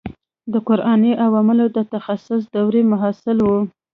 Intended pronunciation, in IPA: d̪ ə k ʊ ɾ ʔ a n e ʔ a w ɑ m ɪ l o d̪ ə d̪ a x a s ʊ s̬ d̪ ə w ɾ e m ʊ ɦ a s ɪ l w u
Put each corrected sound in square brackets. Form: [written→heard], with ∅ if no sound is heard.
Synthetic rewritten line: d̪ ə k ʊ ɾ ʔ [a→ɑ] n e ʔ a w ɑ m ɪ l o d̪ ə [d̪→t̪] a x a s ʊ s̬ d̪ [ə→a] w ɾ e m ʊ ɦ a s ɪ l w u